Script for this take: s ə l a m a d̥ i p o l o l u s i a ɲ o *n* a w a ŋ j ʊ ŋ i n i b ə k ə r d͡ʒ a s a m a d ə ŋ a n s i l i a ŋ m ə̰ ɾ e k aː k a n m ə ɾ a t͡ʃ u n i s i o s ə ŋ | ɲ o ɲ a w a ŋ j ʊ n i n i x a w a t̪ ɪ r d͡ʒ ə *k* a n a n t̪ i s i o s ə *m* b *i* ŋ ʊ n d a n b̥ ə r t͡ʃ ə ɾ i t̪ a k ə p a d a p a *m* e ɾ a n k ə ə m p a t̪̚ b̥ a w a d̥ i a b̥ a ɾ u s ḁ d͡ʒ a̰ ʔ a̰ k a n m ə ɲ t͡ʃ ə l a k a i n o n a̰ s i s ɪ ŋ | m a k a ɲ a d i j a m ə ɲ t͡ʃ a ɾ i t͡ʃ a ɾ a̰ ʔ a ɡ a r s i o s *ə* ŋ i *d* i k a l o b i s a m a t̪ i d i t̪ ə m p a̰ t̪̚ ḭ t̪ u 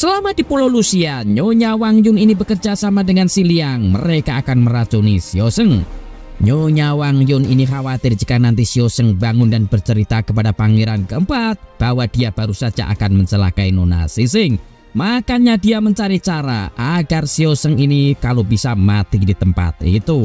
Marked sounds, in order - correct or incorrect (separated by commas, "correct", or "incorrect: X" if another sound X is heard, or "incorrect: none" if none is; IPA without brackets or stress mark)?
incorrect: ɲ, correct, incorrect: ŋ, incorrect: a, incorrect: ŋ, correct, incorrect: n